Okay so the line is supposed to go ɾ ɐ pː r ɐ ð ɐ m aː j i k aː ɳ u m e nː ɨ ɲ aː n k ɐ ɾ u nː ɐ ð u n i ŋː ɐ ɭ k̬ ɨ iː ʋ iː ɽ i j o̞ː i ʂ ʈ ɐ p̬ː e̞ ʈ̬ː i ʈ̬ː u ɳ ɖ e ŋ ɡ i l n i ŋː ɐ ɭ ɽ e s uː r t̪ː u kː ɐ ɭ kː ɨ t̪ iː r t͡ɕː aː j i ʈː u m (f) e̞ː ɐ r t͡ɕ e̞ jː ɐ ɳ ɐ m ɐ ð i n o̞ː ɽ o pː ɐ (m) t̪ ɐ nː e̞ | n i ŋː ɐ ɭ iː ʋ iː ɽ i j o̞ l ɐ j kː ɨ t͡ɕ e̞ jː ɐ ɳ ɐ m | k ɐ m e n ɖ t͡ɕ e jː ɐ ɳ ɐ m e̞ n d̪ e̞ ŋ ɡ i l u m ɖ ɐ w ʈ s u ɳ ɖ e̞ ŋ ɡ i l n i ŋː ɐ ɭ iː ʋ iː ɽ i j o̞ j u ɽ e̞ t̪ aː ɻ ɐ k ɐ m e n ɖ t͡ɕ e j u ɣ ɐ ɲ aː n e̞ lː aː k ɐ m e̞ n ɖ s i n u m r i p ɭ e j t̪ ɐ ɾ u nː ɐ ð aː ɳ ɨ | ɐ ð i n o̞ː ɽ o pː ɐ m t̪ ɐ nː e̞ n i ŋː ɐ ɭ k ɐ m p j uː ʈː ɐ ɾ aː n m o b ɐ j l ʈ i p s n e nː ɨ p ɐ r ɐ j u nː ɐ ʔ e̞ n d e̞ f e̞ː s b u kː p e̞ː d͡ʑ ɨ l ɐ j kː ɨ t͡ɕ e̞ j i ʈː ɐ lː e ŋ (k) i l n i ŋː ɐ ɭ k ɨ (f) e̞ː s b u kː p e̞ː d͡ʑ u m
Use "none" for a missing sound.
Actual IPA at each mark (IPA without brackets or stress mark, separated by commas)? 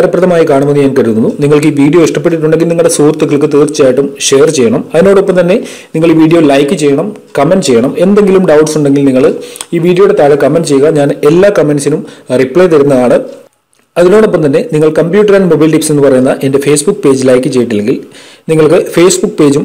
ʂ, m, ɡ, f